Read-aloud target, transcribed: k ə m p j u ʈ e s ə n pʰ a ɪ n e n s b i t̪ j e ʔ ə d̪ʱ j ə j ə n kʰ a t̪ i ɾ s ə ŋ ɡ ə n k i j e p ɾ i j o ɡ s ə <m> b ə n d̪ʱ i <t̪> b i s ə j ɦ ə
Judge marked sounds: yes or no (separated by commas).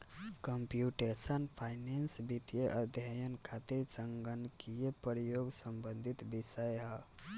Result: yes, yes